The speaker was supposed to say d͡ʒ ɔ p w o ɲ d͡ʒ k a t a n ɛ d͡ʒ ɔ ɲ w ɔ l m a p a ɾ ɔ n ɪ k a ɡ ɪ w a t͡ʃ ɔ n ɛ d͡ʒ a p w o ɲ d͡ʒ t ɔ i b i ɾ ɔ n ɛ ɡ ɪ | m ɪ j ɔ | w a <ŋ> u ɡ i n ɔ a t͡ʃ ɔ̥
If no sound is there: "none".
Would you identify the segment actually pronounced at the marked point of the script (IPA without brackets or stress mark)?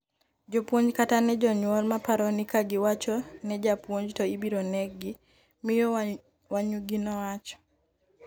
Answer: ɲ